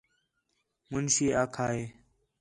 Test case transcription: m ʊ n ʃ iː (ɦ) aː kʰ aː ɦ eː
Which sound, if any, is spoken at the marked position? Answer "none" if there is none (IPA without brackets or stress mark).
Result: none